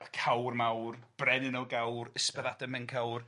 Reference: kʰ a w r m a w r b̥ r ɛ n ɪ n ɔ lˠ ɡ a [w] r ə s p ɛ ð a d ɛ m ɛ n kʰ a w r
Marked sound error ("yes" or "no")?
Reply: no